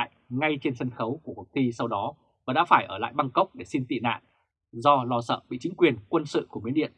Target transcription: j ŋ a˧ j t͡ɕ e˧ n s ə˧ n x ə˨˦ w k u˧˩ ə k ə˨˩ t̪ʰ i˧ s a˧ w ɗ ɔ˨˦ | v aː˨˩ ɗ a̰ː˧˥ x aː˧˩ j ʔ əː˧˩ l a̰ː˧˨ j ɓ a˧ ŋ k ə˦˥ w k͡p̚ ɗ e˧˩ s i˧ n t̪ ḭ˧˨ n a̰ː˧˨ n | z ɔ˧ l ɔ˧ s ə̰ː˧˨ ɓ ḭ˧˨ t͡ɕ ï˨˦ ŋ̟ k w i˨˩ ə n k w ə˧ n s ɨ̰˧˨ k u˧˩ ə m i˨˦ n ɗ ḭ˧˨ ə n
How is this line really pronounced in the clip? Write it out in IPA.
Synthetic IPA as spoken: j ŋ a˧ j t͡ɕ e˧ n s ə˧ n x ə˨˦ w k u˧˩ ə k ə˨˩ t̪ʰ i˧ s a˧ w ɗ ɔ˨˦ | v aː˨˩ ɗ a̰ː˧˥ f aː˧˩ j ʔ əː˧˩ l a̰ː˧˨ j ɓ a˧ ŋ k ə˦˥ w k͡p̚ ɗ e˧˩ s i˧ n t̪ ḭ˧˨ n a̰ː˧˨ n | z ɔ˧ l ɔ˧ s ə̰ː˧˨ ɓ ḭ˧˨ t͡ɕ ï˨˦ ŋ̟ k w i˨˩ ə n k w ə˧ n s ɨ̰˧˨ k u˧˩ ə m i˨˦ n ɗ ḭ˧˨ ə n